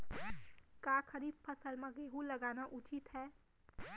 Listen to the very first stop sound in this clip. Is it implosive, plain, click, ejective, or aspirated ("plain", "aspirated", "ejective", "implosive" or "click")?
plain